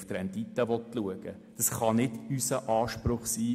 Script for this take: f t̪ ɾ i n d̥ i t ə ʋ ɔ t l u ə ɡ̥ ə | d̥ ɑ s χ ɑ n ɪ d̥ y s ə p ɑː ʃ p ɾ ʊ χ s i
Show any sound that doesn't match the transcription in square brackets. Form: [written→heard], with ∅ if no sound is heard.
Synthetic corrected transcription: f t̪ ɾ [i→ɛ] n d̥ i t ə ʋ ɔ t l u ə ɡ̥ ə | d̥ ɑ s χ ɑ n ɪ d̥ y s ə [p→ʔ] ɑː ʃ p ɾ ʊ χ s [i→iː]